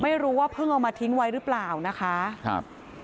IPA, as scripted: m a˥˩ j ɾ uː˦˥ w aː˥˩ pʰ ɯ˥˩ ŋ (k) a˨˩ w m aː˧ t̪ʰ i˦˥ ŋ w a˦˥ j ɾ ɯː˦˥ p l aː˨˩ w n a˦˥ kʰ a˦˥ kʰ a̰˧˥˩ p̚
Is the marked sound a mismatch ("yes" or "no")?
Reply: yes